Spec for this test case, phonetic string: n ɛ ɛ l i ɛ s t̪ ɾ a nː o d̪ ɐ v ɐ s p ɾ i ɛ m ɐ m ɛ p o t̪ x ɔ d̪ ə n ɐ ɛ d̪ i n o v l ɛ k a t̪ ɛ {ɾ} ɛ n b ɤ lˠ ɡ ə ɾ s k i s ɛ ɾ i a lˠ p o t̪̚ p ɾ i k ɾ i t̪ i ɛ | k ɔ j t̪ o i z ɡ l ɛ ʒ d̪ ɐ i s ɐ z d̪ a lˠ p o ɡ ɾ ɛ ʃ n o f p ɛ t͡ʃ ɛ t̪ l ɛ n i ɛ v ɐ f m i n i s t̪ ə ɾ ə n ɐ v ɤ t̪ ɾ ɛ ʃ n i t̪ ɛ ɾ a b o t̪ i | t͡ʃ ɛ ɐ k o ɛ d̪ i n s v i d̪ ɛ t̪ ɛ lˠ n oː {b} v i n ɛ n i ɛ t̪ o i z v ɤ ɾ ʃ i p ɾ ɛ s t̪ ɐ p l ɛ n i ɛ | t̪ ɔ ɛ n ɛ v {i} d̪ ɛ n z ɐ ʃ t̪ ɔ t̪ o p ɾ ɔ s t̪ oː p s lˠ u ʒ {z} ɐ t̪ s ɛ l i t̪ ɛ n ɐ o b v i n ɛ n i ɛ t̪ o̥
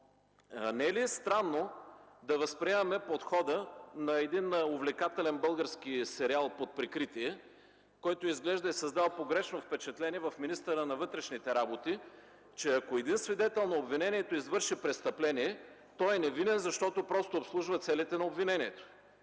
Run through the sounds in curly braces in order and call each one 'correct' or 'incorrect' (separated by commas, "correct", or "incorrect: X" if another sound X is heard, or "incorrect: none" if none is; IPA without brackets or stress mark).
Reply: incorrect: l, correct, correct, incorrect: v